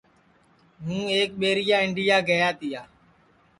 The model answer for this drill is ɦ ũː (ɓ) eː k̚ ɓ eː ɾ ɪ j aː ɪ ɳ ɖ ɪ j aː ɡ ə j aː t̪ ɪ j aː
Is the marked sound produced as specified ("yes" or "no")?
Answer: no